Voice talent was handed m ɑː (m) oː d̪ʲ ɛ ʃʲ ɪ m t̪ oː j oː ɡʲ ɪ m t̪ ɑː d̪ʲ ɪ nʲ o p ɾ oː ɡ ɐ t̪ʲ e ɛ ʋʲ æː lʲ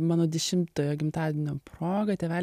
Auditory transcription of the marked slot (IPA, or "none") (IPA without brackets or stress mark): n